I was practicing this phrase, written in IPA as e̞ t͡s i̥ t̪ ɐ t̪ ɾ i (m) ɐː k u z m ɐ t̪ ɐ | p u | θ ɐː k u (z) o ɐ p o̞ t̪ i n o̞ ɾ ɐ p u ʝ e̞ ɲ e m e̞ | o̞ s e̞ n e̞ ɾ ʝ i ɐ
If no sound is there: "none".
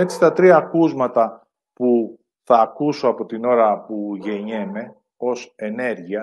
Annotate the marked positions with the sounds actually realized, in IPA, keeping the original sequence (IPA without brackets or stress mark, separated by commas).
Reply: none, s